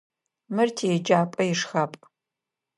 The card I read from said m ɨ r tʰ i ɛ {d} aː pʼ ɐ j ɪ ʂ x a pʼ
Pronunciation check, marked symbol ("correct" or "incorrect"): incorrect